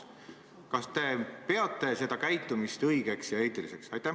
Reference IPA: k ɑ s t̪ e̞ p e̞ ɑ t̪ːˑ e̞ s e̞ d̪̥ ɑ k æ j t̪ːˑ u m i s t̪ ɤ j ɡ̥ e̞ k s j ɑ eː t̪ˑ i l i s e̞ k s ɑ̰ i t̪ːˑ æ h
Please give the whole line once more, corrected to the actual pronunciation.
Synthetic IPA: k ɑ s t̪ e̞ p e̞ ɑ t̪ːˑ e̞ s e̞ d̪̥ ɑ k æ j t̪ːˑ u m i s t̪ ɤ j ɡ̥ e̞ k s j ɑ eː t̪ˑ i l i s e̞ k s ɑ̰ j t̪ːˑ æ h